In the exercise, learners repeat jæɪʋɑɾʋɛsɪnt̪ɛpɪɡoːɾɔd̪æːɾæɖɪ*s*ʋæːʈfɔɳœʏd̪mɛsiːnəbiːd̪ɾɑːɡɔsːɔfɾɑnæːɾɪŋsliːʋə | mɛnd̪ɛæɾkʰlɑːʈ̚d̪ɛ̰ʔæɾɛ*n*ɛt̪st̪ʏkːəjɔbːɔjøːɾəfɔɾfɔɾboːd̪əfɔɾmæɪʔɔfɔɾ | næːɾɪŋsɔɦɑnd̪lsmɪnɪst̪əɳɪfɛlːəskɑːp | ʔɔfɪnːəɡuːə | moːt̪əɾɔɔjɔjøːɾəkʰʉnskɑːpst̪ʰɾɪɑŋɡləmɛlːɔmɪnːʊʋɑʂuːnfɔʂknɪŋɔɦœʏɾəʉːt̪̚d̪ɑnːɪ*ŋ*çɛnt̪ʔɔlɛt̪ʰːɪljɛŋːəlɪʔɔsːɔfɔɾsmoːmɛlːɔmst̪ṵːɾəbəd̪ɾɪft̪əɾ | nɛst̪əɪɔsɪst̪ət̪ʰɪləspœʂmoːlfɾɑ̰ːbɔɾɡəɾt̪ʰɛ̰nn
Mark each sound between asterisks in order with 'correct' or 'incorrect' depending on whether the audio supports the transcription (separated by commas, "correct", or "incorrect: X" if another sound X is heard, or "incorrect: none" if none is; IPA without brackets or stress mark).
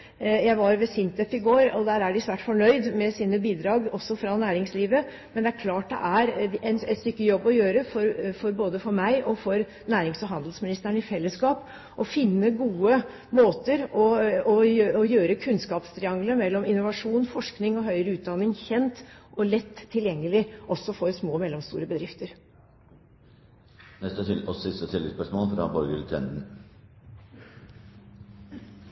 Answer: correct, correct, correct